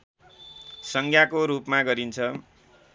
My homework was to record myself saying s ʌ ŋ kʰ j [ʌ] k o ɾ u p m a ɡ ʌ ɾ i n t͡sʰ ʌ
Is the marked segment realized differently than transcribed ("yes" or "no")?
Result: yes